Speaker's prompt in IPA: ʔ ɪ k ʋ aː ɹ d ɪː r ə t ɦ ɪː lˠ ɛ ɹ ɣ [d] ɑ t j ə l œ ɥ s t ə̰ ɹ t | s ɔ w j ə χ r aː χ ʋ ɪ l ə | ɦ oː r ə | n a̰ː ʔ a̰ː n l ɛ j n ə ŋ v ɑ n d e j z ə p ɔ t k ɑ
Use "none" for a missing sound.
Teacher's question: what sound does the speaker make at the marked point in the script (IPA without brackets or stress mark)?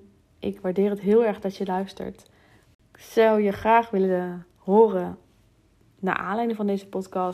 d